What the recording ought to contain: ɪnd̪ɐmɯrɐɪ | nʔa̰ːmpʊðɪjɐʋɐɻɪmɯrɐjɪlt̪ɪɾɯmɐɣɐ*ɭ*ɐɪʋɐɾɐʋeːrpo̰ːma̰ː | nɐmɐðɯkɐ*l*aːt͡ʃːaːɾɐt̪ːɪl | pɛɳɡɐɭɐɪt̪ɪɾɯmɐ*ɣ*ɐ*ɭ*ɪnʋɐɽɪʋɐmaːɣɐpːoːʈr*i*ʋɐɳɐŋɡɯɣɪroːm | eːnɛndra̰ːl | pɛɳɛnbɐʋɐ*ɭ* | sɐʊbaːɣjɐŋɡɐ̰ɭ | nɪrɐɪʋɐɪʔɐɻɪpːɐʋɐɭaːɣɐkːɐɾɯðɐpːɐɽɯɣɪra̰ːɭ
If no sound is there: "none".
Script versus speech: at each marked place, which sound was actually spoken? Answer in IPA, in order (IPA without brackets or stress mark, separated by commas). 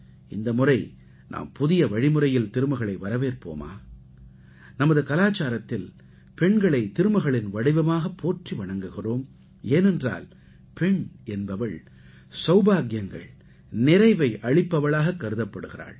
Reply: ɭ, l, ɣ, ɭ, i, ɭ